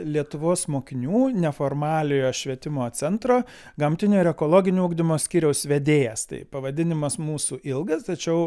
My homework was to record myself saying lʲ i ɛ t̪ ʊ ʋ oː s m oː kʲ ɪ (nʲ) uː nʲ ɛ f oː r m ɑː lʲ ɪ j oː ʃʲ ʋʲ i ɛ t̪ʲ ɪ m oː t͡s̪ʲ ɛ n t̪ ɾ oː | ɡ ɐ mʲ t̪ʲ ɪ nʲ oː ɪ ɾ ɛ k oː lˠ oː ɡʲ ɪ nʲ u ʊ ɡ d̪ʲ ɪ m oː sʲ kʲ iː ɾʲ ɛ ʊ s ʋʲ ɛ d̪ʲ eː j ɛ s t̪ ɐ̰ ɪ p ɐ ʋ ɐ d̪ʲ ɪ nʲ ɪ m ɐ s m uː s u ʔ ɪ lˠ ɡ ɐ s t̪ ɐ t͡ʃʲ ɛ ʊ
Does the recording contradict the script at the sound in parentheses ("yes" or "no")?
no